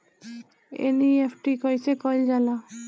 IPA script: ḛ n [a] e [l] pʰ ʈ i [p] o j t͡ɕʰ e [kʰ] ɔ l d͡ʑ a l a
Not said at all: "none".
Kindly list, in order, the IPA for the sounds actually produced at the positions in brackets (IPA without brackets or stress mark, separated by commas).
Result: i, none, k, k